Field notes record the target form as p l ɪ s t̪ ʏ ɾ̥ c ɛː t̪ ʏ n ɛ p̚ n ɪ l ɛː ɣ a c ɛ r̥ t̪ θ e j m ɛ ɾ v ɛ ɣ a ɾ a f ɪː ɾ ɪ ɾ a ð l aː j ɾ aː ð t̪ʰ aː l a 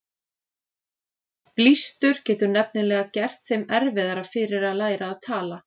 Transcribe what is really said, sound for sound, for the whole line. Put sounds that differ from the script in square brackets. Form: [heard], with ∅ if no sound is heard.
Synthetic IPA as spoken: p l [i] s t̪ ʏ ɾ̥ c ɛː t̪ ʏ n ɛ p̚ n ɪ l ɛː ɣ a c ɛ r̥ t̪ θ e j m ɛ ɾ v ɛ [ð] a ɾ a f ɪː ɾ ɪ ɾ a ð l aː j ɾ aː ð t̪ʰ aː l a